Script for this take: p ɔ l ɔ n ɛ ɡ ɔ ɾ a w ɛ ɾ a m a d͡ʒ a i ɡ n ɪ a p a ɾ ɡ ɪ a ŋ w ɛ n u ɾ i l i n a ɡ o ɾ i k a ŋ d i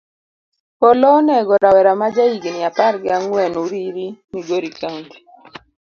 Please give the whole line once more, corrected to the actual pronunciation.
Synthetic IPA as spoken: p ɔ l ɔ n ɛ ɡ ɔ ɾ a w ɛ ɾ a m a d͡ʒ a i ɡ n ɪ a p a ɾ ɡ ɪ a ŋ w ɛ n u ɾ i ɾ i n i ɡ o ɾ i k a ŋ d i